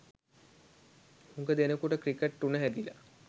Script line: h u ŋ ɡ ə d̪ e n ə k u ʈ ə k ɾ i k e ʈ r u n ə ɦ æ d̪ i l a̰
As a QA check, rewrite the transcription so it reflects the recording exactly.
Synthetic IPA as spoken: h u ŋ ɡ ə d̪ e n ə k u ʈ ə k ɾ i k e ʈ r u n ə ɦ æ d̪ i l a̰